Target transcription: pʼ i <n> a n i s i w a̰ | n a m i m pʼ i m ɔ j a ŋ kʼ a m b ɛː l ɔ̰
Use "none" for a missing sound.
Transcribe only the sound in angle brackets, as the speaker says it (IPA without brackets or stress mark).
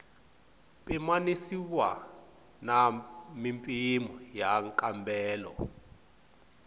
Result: m